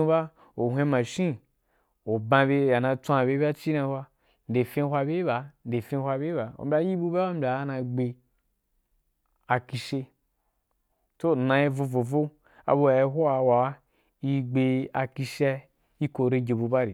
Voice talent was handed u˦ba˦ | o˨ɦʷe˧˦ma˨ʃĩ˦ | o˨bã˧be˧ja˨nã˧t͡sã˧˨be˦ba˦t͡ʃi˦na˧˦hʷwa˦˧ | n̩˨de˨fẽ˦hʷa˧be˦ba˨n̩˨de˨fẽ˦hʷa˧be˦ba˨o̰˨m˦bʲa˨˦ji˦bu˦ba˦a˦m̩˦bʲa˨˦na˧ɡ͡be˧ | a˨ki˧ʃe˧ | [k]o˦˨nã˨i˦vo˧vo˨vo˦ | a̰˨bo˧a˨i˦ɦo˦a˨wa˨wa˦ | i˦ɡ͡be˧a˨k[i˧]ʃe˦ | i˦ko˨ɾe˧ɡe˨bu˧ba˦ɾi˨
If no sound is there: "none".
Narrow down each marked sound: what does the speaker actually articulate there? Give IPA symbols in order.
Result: t, i˧

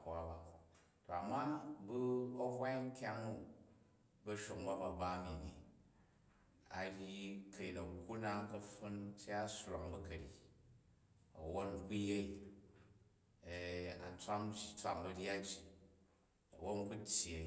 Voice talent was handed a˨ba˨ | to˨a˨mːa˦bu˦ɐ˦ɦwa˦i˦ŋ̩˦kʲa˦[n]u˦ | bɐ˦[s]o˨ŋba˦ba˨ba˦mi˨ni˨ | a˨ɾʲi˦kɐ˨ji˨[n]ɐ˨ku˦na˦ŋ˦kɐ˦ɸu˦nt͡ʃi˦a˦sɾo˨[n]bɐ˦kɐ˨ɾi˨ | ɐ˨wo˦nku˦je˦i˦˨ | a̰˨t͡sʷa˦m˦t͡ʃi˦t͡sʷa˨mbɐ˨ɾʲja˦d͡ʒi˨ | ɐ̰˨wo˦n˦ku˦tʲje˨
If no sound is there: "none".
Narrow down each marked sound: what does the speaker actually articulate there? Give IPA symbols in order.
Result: ŋ, ʃ, n, ŋ

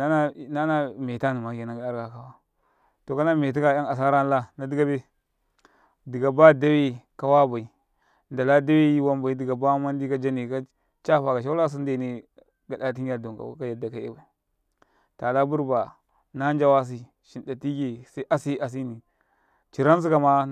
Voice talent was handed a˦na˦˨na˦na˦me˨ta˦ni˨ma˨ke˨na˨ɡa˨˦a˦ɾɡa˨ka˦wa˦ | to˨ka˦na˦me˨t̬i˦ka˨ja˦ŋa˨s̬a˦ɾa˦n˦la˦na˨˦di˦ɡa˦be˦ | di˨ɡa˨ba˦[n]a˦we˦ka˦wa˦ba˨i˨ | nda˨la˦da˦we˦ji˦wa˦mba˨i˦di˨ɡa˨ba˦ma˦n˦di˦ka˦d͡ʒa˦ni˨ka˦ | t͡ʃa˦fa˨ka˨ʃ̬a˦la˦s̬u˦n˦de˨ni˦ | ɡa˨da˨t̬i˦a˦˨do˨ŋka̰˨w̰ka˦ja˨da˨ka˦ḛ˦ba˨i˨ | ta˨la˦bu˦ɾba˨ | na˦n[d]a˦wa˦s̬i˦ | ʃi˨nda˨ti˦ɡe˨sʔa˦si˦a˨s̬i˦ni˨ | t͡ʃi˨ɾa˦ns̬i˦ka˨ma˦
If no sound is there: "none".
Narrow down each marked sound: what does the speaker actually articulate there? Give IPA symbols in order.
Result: d, d͡ʒ

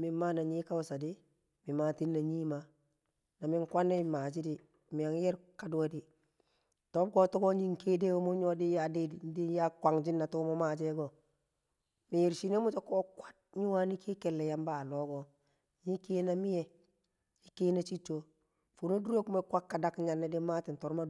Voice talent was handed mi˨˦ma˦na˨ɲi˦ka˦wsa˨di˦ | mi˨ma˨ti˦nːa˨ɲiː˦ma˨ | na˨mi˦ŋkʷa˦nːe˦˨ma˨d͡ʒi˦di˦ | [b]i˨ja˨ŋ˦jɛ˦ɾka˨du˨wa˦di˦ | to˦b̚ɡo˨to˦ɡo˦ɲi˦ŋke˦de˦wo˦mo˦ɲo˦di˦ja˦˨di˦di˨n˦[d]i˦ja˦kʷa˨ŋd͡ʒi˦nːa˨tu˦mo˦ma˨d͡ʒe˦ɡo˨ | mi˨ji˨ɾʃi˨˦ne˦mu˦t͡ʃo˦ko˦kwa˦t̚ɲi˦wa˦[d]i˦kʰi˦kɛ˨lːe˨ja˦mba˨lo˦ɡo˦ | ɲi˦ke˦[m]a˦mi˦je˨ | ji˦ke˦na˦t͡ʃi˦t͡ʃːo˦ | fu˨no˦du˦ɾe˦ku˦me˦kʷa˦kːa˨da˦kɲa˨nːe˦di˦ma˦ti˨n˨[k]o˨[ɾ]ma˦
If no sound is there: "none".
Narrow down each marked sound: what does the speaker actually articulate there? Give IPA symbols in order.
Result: m, d, n, n, t, ɾ

